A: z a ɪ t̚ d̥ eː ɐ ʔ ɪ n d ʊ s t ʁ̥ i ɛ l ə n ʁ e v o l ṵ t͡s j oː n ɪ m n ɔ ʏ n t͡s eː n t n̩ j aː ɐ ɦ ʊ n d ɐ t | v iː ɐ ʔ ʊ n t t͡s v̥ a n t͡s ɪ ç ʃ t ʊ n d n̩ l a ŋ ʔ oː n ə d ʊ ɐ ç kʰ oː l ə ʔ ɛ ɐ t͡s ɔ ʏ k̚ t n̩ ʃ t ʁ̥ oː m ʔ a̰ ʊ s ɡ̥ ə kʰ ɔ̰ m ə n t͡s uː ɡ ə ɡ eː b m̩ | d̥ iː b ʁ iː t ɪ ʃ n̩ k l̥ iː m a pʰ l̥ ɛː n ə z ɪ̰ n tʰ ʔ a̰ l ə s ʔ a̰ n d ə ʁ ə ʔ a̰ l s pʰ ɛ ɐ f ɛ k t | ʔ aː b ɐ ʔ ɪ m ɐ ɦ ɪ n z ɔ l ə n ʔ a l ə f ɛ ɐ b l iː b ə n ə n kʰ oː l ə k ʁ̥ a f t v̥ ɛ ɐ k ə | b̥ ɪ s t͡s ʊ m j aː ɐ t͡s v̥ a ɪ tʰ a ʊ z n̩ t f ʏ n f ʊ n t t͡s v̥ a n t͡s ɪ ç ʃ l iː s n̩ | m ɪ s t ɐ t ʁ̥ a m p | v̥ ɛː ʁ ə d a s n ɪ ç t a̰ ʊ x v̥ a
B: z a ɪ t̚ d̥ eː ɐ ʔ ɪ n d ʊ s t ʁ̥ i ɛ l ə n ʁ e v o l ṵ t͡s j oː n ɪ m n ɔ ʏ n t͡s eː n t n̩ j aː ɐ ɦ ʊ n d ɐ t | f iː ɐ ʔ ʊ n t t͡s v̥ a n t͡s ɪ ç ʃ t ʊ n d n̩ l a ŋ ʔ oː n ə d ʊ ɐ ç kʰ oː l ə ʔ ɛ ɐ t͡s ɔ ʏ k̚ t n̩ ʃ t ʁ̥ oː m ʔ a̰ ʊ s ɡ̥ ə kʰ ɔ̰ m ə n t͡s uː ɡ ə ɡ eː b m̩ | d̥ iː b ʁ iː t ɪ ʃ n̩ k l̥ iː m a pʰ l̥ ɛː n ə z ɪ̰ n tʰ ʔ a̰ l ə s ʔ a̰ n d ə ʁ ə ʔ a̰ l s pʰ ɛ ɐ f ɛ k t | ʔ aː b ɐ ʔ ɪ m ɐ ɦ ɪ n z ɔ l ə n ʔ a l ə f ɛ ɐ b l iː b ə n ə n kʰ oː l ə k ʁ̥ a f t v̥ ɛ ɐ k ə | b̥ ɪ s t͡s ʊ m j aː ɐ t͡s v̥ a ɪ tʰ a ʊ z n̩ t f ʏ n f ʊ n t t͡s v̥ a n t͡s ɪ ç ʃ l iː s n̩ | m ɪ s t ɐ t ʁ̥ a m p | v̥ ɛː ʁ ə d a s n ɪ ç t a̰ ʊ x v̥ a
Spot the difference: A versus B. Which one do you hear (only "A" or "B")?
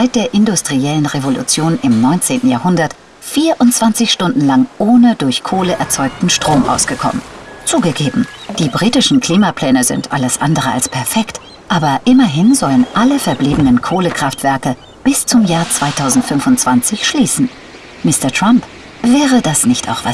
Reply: B